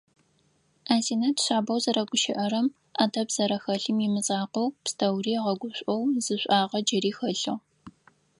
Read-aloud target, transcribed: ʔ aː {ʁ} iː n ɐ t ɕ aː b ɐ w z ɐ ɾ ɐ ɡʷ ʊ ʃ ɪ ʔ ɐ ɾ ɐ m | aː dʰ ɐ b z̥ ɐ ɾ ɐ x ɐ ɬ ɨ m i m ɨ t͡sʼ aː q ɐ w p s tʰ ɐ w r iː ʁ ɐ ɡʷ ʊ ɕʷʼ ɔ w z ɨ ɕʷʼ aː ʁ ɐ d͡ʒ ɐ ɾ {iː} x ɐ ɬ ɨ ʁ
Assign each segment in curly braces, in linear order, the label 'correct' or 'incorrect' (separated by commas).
incorrect, correct